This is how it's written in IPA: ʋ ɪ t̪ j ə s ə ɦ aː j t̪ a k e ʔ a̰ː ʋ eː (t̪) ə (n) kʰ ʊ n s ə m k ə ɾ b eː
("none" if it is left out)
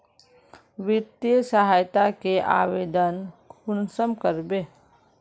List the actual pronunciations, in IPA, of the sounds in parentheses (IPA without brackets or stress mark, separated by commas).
d̪, n